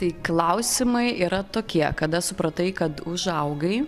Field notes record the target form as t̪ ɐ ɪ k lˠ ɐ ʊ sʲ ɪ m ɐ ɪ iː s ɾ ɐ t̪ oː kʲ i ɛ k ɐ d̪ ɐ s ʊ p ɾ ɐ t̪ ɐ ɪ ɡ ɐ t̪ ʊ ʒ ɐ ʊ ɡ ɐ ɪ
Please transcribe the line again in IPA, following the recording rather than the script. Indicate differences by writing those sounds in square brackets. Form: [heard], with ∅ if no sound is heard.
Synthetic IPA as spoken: t̪ ɐ ɪ k lˠ ɐ ʊ sʲ ɪ m ɐ ɪ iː [∅] ɾ ɐ t̪ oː kʲ i ɛ k ɐ d̪ ɐ s ʊ p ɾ ɐ t̪ ɐ ɪ [k] ɐ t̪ ʊ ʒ ɐ ʊ ɡ ɐ ɪ

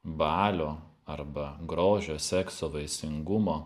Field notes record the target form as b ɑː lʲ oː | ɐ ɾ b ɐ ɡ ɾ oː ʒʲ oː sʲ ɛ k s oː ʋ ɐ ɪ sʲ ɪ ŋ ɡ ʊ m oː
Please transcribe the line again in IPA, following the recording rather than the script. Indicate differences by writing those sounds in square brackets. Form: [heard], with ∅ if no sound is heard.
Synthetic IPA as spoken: b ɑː lʲ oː | ɐ ɾ b ɐ ɡ ɾ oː ʒʲ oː sʲ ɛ k s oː ʋ ɐ ɪ sʲ ɪ ŋ ɡ ʊ m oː

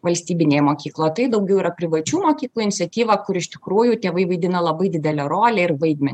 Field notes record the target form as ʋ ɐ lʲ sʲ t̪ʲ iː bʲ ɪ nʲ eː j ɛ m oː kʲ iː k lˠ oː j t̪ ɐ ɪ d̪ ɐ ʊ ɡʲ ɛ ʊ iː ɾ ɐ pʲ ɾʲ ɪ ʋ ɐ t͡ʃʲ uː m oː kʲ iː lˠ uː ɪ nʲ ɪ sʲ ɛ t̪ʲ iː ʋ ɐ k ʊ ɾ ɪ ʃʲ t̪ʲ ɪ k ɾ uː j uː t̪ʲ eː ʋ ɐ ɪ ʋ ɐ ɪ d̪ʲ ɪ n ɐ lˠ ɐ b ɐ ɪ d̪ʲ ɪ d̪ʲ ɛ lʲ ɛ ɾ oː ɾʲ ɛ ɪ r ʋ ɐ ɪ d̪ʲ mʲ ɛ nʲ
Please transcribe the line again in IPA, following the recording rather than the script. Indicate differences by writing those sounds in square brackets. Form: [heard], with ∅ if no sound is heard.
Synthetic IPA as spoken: ʋ ɐ lʲ sʲ t̪ʲ iː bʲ ɪ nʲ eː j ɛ m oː kʲ iː k lˠ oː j t̪ ɐ ɪ d̪ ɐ ʊ ɡʲ ɛ ʊ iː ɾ ɐ pʲ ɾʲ ɪ ʋ ɐ t͡ʃʲ uː m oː kʲ iː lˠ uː ɪ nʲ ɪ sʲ ɛ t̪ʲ iː ʋ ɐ k ʊ ɾ ɪ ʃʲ t̪ʲ ɪ k ɾ uː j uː t̪ʲ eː ʋ ɐ ɪ ʋ ɐ ɪ d̪ʲ ɪ n ɐ lˠ ɐ b ɐ ɪ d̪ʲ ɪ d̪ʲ ɛ lʲ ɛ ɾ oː [lʲ] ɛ ɪ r ʋ ɐ ɪ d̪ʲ mʲ ɛ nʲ

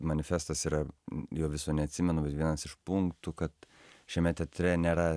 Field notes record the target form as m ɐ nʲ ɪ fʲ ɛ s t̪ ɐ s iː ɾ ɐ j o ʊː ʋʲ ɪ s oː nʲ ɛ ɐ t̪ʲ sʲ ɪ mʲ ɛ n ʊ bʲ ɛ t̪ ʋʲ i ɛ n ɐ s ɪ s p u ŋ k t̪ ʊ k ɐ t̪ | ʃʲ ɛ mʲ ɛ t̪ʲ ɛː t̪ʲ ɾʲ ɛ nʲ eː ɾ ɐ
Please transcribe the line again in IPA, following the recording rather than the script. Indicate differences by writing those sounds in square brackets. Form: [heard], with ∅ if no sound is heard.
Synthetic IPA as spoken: m ɐ nʲ ɪ fʲ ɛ s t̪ ɐ s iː ɾ ɐ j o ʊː ʋʲ ɪ s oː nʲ ɛ ɐ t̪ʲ sʲ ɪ mʲ ɛ n ʊ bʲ ɛ t̪ ʋʲ i ɛ n ɐ s ɪ [ʃ] p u ŋ k t̪ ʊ k ɐ t̪ | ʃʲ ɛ mʲ ɛ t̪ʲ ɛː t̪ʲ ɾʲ ɛ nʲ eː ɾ ɐ

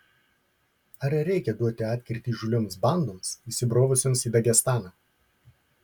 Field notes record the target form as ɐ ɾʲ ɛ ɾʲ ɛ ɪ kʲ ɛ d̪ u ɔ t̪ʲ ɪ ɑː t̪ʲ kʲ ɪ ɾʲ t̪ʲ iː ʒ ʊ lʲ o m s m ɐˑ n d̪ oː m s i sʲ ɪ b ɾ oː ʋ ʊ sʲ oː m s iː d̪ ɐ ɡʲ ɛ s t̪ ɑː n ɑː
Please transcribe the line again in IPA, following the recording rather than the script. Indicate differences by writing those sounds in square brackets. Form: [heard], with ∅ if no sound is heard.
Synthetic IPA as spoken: ɐ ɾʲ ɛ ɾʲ ɛ ɪ kʲ ɛ d̪ u ɔ t̪ʲ ɪ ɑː t̪ʲ kʲ ɪ ɾʲ t̪ʲ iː ʒ ʊ lʲ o m s [b] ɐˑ n d̪ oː m s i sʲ ɪ b ɾ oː ʋ ʊ sʲ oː m s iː d̪ ɐ ɡʲ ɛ s t̪ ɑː n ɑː

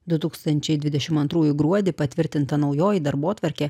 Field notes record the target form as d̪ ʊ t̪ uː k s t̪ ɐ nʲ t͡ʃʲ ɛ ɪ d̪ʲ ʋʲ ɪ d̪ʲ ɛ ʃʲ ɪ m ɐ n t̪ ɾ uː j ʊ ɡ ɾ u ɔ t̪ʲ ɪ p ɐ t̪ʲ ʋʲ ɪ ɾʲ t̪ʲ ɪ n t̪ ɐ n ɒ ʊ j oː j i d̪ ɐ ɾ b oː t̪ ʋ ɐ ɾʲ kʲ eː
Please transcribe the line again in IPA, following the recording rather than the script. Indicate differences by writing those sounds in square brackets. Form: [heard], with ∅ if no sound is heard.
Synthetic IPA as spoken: d̪ ʊ t̪ uː k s t̪ ɐ nʲ t͡ʃʲ ɛ ɪ d̪ʲ ʋʲ ɪ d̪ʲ ɛ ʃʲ ɪ m ɐ n t̪ ɾ uː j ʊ ɡ ɾ u ɔ [d̪ʲ] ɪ p ɐ t̪ʲ ʋʲ ɪ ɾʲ t̪ʲ ɪ n t̪ ɐ n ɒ ʊ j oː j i d̪ ɐ ɾ b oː t̪ ʋ ɐ ɾʲ kʲ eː

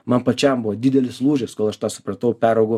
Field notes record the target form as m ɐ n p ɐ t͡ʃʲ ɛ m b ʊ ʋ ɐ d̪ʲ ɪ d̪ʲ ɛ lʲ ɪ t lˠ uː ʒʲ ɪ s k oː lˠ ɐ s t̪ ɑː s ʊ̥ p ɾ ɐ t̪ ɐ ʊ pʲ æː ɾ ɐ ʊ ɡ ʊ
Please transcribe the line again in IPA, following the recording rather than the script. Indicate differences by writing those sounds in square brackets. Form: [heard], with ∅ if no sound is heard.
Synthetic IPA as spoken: m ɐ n p ɐ t͡ʃʲ ɛ m b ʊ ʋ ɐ d̪ʲ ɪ d̪ʲ ɛ lʲ ɪ [s] lˠ uː ʒʲ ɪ s k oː lˠ ɐ [ʃ] t̪ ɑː s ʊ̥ p ɾ ɐ t̪ ɐ ʊ pʲ æː ɾ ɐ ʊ ɡ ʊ

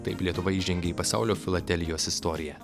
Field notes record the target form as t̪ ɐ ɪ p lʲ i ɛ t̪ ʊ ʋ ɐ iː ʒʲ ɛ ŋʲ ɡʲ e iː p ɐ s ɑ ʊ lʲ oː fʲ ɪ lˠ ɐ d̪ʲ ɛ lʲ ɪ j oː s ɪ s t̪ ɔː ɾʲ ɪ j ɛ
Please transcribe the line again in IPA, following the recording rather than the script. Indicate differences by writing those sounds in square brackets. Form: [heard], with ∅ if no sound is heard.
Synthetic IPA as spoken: t̪ ɐ ɪ p lʲ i ɛ t̪ ʊ ʋ ɐ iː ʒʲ ɛ ŋʲ ɡʲ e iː p ɐ s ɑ ʊ lʲ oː fʲ ɪ lˠ ɐ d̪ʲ ɛ lʲ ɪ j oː s ɪ s t̪ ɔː ɾʲ ɪ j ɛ

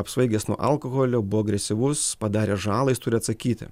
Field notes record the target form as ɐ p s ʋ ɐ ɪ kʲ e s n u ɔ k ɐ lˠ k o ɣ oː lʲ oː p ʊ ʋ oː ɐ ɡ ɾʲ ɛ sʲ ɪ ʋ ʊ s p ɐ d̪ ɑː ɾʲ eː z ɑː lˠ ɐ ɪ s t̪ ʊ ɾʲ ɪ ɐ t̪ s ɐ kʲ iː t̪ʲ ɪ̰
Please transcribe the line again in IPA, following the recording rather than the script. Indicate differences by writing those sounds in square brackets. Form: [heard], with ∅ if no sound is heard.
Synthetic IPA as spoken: ɐ p s ʋ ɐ ɪ [ɡʲ] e s n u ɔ [ʔ] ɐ lˠ k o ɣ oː lʲ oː [b] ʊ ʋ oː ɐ ɡ ɾʲ ɛ sʲ ɪ ʋ ʊ s p ɐ d̪ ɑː ɾʲ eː [ʒ] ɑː lˠ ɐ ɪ s t̪ ʊ ɾʲ ɪ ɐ t̪ s ɐ kʲ iː t̪ʲ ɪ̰

